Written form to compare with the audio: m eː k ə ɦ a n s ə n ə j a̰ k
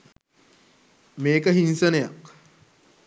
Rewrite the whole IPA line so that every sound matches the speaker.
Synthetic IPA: m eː k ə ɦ i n s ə n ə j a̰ k